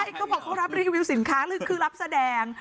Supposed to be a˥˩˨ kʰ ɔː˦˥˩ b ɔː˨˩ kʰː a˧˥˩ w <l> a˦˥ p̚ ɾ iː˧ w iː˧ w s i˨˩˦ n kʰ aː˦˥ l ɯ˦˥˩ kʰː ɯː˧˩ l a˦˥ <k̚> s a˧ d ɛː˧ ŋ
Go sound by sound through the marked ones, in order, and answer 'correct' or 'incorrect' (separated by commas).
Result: incorrect, incorrect